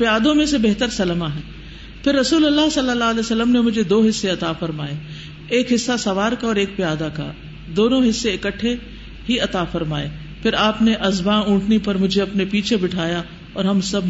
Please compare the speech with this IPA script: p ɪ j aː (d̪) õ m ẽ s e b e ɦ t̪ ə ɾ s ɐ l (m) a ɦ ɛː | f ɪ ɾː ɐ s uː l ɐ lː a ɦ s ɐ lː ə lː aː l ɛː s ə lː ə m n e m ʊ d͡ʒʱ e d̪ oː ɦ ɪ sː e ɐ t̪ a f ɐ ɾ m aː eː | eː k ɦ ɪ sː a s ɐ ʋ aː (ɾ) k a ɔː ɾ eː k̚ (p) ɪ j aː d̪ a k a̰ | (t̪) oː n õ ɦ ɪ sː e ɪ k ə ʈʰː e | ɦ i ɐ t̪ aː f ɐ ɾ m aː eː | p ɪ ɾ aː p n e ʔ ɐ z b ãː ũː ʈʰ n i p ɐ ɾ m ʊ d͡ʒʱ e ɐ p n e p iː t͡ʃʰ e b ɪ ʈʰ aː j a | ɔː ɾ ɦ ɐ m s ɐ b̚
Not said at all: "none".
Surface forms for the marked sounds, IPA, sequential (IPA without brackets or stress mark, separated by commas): d̪, m, ɾ, p, d̪